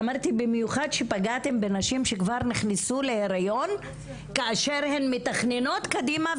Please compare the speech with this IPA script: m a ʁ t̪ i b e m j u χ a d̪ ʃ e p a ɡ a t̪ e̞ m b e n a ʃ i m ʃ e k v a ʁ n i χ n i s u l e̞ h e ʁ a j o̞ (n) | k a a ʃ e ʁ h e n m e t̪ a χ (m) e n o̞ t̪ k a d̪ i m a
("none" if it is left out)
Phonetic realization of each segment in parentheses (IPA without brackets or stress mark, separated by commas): n, n